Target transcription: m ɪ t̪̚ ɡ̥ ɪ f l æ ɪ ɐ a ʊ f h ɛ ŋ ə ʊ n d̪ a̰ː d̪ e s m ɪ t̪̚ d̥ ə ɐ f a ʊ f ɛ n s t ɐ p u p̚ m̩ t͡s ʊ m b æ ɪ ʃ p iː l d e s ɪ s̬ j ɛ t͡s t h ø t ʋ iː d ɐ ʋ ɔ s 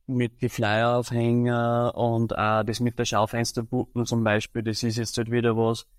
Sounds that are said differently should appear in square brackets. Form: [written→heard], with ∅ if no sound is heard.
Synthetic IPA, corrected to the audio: m ɪ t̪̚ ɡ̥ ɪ f l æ ɪ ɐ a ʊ f h ɛ ŋ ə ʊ n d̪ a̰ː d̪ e s m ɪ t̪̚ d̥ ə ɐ [f→ʃ] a ʊ f ɛ n s t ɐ p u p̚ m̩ t͡s ʊ m b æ ɪ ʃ p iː l d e s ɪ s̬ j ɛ t͡s t h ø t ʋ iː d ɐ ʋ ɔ s